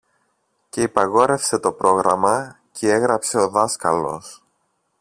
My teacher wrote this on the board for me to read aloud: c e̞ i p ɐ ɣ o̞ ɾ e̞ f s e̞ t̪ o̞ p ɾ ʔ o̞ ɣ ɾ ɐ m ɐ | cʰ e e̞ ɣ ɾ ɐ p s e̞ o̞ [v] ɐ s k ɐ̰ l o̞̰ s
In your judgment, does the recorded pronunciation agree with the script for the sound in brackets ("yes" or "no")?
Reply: no